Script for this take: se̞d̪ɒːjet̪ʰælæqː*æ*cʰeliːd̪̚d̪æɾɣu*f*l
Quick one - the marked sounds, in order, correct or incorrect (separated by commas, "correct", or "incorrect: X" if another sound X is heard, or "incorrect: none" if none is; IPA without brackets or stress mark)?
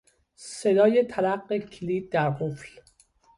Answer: incorrect: e, correct